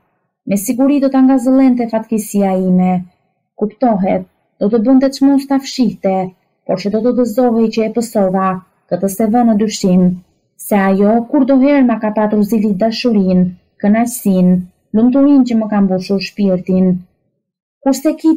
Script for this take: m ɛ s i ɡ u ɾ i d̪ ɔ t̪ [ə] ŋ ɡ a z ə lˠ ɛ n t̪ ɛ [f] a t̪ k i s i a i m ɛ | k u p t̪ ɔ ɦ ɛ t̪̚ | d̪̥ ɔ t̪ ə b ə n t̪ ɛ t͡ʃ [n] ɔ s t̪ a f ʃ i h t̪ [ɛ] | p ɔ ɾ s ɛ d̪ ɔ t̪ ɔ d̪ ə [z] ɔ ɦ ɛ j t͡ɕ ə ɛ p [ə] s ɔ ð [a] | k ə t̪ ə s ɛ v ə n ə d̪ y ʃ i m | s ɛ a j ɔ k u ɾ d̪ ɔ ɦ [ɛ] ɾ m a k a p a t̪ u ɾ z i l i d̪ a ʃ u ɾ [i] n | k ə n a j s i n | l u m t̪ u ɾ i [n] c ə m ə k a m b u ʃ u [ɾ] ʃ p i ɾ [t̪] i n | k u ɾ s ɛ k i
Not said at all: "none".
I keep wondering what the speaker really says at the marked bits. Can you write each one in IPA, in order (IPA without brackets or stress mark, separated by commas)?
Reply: a, f, m, ɛ, z, ə, a, ɛ, i, n, ɾ, t̪